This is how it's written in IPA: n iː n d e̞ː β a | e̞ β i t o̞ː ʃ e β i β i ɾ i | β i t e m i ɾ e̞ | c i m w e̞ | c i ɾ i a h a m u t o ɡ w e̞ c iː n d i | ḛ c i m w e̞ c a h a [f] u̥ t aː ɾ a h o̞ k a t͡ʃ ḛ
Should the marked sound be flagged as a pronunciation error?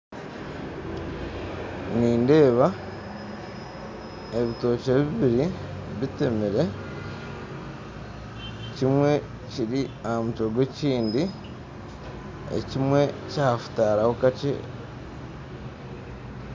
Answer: no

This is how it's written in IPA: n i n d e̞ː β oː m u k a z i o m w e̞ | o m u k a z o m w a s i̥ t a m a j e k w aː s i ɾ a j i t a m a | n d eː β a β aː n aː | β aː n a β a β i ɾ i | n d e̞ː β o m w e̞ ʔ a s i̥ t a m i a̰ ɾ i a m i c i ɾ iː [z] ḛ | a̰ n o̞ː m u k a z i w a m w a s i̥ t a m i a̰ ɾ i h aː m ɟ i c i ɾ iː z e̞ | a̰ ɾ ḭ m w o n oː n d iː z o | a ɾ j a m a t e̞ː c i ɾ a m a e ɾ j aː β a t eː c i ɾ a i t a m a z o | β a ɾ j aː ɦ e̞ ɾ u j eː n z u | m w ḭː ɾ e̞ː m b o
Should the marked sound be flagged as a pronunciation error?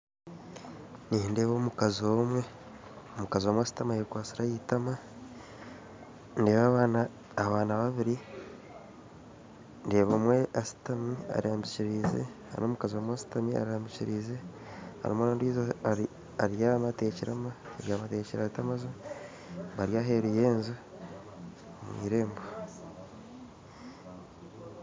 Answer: no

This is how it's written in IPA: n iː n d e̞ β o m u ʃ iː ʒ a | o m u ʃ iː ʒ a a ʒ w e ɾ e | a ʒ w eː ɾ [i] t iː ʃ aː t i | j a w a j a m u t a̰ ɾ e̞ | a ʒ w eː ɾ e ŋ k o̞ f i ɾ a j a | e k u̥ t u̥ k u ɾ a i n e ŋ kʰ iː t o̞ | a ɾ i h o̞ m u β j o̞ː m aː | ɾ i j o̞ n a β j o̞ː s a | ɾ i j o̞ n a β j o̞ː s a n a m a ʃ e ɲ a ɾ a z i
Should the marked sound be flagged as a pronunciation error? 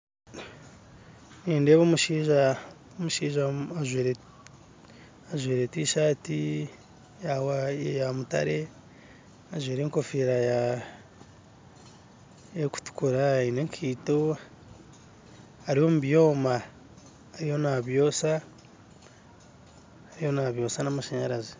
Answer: yes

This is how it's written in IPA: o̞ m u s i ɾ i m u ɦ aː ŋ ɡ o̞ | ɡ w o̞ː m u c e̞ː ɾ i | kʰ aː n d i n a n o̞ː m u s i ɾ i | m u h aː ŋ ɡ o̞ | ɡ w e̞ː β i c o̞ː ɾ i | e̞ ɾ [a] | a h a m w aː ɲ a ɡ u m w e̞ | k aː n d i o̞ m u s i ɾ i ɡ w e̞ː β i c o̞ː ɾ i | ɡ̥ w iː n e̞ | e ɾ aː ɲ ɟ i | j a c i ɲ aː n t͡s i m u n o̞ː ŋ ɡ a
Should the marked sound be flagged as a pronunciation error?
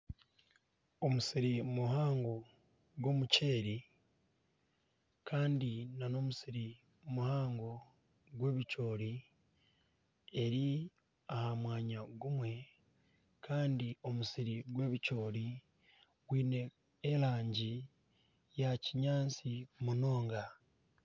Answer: yes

